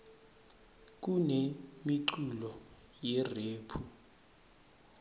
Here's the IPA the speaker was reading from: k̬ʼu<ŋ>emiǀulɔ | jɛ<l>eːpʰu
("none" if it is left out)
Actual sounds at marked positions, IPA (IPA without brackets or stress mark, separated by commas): n, r